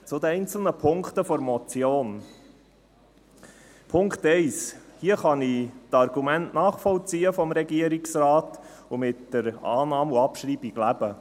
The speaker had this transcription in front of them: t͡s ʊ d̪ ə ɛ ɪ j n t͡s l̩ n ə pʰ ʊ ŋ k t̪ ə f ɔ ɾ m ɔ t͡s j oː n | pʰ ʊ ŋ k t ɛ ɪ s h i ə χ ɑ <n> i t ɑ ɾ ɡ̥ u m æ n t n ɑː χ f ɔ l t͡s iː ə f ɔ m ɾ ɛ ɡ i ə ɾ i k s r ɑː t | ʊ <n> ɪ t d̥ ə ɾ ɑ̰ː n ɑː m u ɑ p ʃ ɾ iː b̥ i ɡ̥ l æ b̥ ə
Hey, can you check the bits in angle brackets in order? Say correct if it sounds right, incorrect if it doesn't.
correct, incorrect: m

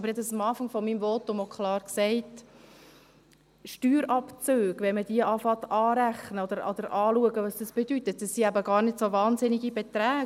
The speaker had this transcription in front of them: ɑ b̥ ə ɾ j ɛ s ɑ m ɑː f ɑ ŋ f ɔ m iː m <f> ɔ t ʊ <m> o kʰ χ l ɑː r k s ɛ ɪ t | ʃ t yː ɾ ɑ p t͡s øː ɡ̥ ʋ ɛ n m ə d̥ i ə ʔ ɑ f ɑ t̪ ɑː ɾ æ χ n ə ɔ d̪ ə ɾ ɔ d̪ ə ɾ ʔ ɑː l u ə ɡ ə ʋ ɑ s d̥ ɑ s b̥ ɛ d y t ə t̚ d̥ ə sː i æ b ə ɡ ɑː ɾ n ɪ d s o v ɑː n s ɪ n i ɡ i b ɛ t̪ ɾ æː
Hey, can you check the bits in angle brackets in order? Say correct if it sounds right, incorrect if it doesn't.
incorrect: v, correct

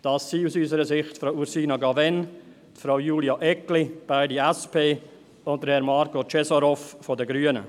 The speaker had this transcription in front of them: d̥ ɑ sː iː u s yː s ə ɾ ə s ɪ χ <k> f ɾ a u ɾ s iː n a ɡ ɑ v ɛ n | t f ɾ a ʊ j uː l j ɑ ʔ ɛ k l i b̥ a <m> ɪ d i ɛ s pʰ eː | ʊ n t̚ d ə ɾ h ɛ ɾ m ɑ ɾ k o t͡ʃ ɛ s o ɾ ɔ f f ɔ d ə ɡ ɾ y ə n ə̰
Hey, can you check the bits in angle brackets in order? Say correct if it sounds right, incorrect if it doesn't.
incorrect: t, incorrect: none

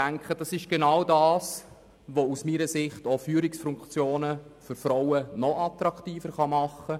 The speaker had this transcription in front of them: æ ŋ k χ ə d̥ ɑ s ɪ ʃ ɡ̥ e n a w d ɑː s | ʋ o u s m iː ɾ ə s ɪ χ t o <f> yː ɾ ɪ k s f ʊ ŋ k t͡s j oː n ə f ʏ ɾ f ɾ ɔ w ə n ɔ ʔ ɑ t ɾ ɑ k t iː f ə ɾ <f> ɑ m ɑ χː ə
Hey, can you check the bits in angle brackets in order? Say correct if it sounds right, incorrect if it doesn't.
correct, incorrect: χ

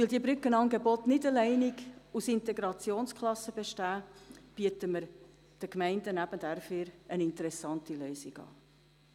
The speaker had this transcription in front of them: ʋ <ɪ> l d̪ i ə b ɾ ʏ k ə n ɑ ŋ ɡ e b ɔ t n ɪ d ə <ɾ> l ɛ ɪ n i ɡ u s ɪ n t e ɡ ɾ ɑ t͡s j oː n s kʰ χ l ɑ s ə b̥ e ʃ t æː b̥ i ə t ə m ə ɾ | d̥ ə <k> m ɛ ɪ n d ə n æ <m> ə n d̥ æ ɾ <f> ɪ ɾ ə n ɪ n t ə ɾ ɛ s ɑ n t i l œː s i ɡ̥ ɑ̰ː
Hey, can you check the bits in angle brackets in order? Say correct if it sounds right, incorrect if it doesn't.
correct, incorrect: none, correct, incorrect: b, correct

